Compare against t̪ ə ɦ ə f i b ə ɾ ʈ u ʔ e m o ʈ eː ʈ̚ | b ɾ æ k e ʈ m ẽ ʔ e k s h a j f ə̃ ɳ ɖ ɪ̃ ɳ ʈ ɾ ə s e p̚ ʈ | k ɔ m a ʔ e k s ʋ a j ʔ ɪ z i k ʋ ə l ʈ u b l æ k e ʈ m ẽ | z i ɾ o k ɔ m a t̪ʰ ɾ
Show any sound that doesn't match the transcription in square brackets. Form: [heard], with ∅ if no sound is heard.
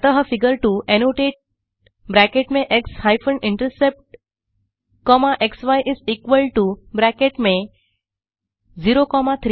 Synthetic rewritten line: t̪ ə ɦ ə f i [ɡ] ə ɾ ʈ u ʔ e [n] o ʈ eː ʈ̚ | b ɾ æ k e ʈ m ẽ ʔ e k s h a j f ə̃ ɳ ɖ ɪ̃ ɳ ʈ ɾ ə s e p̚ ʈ | k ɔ m a ʔ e k s ʋ a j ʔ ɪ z i k ʋ ə l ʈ u b [ɾ] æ k e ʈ m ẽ | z i ɾ o k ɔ m a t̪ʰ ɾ

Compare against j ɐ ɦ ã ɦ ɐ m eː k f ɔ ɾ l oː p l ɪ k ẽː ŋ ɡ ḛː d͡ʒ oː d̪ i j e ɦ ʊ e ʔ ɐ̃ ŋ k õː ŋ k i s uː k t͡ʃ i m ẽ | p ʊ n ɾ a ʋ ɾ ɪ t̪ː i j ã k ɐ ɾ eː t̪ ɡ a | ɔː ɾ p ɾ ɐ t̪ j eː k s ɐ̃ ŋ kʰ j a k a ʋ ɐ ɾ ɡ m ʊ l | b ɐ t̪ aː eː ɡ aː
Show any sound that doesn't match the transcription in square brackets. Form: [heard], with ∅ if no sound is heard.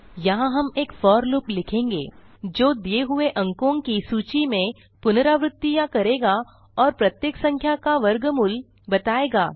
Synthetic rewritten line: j ɐ ɦ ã ɦ ɐ m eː k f [ɔː] ɾ l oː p l ɪ [kʰ] ẽː ŋ ɡ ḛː d͡ʒ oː d̪ i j e ɦ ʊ e ʔ ɐ̃ ŋ k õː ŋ k i s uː [∅] t͡ʃ i m ẽ | p ʊ n ɾ a ʋ ɾ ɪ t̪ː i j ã k ɐ ɾ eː [∅] ɡ a | ɔː ɾ p ɾ ɐ t̪ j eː k s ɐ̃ ŋ kʰ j a k a ʋ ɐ ɾ ɡ m ʊ l | b ɐ t̪ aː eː ɡ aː

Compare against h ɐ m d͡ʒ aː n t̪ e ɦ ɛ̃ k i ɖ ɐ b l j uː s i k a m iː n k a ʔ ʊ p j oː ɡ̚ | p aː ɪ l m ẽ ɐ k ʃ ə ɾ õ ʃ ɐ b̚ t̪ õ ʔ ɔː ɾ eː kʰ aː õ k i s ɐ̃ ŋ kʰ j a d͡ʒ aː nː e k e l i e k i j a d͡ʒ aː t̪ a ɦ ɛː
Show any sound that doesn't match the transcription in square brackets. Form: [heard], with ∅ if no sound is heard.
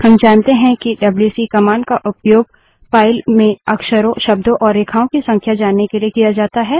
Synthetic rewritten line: h ɐ m d͡ʒ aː n t̪ e ɦ ɛ̃ k i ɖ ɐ b l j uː s i k [ɐ] m [aː] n k a ʔ ʊ p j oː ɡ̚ | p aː ɪ l m ẽ ɐ k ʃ ə ɾ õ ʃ ɐ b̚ [d̪] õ ʔ ɔː ɾ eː kʰ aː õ k i s ɐ̃ ŋ kʰ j a d͡ʒ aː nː e k e l i e k i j a d͡ʒ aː t̪ a ɦ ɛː

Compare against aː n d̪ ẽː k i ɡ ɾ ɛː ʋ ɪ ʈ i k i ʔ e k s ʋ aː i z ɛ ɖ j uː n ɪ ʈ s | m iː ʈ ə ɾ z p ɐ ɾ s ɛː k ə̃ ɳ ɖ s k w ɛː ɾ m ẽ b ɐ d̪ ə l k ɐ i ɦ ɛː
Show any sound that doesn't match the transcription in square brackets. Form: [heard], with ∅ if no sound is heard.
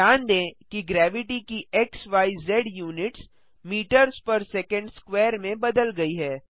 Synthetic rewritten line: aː n d̪ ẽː k i ɡ ɾ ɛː ʋ ɪ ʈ i k i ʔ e k s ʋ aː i z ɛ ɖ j uː n ɪ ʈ s | m iː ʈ ə ɾ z p ɐ ɾ s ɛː k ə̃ ɳ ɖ s k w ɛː ɾ m ẽ b ɐ d̪ ə l [ɡ] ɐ i ɦ ɛː

